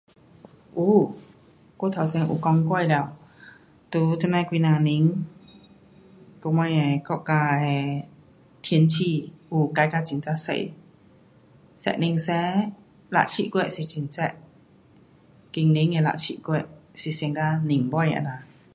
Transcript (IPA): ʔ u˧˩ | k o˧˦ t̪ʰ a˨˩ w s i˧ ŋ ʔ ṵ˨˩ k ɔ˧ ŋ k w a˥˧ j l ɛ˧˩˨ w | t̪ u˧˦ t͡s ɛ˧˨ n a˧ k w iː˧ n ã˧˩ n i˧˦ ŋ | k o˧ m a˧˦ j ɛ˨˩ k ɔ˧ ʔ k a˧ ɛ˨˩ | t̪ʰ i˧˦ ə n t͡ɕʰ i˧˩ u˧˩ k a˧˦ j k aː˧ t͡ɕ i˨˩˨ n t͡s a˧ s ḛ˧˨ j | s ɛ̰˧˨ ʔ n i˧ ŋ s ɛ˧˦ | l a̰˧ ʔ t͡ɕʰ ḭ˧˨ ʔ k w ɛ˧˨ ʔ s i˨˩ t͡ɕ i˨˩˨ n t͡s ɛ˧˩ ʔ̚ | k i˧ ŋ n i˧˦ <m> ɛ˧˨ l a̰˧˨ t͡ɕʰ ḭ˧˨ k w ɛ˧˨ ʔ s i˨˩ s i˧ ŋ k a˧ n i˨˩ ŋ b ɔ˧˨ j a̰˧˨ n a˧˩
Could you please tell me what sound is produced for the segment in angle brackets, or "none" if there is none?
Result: ŋ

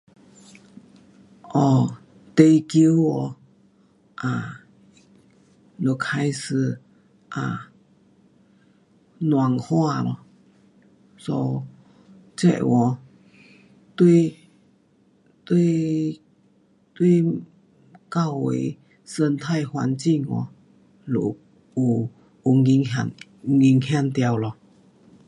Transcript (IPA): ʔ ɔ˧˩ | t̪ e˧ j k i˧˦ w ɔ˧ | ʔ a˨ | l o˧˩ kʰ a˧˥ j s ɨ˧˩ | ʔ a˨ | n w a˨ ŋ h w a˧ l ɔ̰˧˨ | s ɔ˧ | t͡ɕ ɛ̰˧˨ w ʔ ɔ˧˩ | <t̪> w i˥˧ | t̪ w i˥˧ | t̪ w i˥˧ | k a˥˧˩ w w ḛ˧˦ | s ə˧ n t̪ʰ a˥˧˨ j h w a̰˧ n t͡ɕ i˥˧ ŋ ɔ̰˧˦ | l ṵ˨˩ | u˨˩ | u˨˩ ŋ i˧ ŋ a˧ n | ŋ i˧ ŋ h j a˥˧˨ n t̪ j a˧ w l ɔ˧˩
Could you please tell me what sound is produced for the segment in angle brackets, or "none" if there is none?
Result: t̪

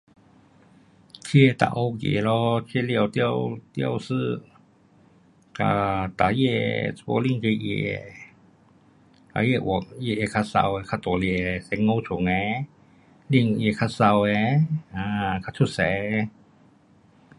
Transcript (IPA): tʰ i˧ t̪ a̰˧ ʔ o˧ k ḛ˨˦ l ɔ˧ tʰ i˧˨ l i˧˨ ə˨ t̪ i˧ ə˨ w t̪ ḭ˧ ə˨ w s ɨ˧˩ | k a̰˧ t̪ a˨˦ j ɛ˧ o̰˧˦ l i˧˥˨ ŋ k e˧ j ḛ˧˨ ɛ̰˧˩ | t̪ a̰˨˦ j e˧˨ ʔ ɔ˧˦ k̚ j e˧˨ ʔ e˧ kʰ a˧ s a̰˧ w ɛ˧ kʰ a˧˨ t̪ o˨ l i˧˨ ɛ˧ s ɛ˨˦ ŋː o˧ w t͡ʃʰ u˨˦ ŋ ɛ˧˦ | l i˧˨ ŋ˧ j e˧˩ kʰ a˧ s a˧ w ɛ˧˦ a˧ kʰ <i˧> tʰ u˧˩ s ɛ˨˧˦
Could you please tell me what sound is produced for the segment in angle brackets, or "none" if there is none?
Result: a˧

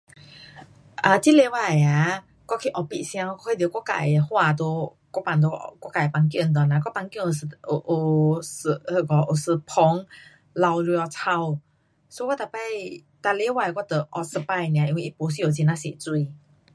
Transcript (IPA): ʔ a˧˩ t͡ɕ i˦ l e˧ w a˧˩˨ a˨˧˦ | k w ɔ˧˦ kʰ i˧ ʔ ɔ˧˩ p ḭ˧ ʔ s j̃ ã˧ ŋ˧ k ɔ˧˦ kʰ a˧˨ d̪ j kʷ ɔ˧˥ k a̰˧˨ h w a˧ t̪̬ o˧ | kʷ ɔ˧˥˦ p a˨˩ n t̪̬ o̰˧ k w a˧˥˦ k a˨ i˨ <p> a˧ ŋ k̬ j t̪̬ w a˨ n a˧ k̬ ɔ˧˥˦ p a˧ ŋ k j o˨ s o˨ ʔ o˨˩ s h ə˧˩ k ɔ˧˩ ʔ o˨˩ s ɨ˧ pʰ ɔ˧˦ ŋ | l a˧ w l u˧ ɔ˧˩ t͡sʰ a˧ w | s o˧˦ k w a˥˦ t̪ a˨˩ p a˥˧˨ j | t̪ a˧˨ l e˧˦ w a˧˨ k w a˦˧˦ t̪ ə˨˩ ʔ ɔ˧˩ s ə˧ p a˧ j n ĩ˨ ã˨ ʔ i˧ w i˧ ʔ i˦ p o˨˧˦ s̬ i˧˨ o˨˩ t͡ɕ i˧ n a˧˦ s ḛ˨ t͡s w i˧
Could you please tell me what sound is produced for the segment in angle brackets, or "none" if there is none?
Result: p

